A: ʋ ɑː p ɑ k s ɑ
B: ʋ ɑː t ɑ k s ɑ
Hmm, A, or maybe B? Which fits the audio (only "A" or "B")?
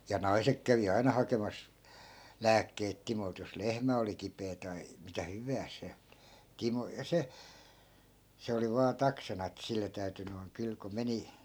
B